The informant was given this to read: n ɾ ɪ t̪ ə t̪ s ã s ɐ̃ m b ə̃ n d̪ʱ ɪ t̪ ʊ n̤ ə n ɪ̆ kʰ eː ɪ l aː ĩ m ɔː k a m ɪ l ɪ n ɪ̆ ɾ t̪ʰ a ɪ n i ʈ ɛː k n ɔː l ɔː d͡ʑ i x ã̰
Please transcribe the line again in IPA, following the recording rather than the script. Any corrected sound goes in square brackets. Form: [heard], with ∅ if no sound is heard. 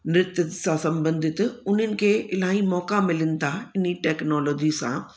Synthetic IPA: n ɾ ɪ t̪ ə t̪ s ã s ɐ̃ m b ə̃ n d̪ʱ ɪ t̪ ʊ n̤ ə n ɪ̆ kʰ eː ɪ l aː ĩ m ɔː k a m ɪ l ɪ n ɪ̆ [∅] t̪ʰ a ɪ n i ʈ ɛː k n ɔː l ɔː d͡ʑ i [s] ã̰